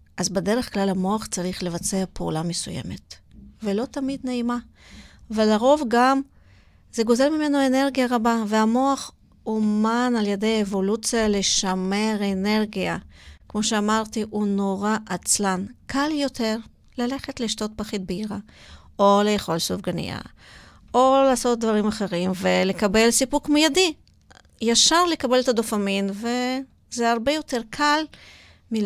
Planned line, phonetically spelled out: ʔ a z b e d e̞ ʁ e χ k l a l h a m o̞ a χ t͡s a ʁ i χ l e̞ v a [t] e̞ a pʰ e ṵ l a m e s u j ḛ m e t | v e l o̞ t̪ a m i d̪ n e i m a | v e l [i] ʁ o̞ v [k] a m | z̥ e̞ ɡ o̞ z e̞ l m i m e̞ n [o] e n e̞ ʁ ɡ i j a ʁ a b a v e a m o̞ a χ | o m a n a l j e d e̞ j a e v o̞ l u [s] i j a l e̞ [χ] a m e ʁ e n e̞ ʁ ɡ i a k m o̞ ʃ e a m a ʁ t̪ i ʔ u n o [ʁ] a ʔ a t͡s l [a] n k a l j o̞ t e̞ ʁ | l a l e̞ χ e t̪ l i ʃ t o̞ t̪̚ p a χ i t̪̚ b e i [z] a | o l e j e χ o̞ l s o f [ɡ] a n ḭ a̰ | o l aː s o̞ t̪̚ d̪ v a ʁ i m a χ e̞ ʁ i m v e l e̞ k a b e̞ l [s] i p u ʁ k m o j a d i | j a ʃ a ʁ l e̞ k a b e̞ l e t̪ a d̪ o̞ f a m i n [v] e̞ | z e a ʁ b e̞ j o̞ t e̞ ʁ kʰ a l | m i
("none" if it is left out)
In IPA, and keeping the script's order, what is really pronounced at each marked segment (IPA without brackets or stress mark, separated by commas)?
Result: t͡s, a, ɡ, o, t͡s, ʃ, ʁ, a, ʁ, ɡ, s, v